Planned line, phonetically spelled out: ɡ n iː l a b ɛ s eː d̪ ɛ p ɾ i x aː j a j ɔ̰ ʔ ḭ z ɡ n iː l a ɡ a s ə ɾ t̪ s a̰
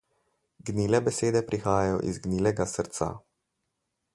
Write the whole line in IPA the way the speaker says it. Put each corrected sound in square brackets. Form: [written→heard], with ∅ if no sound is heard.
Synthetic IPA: ɡ n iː l [a→ɛ] b ɛ s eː d̪ ɛ p ɾ i x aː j a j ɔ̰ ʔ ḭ z ɡ n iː l [a→ɛ] ɡ a s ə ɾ t̪ s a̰